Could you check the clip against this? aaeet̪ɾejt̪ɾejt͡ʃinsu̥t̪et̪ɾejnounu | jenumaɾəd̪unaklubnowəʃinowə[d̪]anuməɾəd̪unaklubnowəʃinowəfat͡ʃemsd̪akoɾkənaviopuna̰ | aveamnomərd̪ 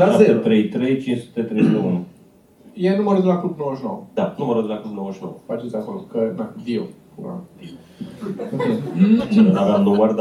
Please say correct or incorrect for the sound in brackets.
correct